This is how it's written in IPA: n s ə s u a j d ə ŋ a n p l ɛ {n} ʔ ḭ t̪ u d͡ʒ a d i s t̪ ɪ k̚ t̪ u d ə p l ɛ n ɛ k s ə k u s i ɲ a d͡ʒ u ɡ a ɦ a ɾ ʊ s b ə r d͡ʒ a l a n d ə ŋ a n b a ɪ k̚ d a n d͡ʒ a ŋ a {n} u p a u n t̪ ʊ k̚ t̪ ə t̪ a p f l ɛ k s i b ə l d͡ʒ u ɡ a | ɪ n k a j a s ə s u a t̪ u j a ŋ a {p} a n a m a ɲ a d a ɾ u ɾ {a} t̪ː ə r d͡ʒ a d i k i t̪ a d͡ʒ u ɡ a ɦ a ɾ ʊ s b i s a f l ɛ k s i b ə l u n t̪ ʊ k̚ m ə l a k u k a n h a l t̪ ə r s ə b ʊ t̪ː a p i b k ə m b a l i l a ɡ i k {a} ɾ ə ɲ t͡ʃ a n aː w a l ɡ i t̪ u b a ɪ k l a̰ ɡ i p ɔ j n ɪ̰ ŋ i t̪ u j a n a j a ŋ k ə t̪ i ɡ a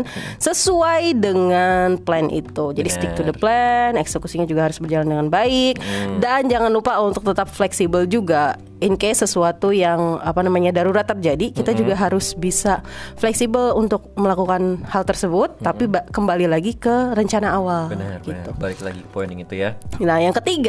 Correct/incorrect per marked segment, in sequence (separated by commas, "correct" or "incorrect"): correct, correct, correct, correct, incorrect